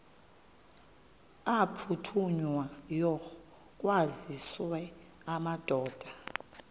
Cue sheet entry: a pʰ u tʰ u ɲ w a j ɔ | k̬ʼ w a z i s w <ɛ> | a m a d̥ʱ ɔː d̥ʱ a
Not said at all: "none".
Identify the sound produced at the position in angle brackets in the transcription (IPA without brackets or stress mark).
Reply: ɛ